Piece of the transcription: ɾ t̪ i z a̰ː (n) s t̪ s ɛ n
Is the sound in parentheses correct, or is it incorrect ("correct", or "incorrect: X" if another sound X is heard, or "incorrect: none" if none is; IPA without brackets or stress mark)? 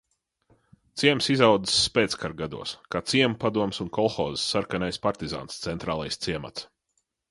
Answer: correct